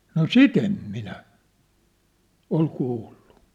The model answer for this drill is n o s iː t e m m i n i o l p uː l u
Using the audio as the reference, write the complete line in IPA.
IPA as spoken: n o s i t e m m i n æ o l k uː lː u